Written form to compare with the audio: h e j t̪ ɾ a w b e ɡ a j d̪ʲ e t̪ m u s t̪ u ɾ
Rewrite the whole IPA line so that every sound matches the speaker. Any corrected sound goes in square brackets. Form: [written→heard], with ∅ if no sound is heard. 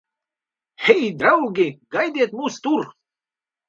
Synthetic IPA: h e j [t̪→d̪] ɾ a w [b→ɡ] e ɡ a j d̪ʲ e t̪ m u s t̪ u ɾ